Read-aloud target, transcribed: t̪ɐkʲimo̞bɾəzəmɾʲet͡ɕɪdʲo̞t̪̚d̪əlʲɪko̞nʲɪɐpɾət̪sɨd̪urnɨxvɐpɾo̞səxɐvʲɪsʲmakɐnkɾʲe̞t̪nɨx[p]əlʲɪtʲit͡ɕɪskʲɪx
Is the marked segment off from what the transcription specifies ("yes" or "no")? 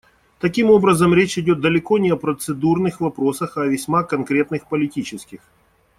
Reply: no